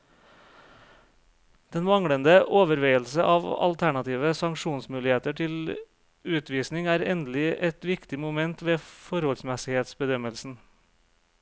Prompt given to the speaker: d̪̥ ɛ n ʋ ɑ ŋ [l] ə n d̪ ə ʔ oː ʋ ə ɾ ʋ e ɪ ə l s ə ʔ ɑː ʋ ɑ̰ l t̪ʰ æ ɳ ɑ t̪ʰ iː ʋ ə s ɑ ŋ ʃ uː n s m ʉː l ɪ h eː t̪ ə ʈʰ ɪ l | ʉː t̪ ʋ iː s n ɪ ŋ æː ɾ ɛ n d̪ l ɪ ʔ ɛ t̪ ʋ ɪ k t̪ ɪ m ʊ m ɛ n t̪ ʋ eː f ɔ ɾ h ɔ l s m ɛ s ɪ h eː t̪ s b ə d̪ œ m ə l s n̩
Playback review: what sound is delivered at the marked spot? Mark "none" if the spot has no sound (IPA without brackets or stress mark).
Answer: ɽ